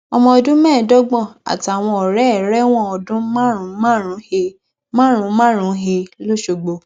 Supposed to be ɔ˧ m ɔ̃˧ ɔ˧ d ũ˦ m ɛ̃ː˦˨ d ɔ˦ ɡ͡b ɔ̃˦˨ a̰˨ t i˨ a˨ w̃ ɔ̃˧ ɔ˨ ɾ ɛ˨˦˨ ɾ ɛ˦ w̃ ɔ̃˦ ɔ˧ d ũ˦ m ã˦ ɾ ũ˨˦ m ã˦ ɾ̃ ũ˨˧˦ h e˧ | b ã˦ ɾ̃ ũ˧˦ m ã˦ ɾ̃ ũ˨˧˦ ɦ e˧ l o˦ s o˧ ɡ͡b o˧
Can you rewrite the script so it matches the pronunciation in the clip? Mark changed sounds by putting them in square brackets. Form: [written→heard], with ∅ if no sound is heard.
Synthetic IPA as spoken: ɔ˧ m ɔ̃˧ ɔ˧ d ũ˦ m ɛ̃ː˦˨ d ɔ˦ ɡ͡b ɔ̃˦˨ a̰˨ t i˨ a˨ w̃ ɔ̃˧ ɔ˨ ɾ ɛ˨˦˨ ɾ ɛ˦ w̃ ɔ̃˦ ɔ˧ d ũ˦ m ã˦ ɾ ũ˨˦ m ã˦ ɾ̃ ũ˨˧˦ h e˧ | [b→m] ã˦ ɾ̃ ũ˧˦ m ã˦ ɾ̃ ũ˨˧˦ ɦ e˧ l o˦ [s→ʃ] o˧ ɡ͡b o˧